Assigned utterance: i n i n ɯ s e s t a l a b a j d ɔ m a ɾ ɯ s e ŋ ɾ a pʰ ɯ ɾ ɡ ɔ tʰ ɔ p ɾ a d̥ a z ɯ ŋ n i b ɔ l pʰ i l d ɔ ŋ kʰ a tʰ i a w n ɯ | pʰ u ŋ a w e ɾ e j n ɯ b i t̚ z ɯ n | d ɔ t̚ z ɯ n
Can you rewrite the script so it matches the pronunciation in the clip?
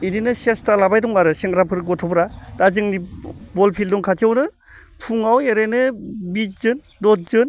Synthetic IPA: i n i n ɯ s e s t a l a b a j d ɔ ŋ a ɾ ɯ s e ŋ ɾ a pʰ ɯ ɾ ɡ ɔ tʰ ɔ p ɾ a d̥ a z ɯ ŋ n i b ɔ l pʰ i l d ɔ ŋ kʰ a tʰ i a w n ɯ | pʰ u ŋ a w e ɾ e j n ɯ b i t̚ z ɯ n | d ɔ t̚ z ɯ n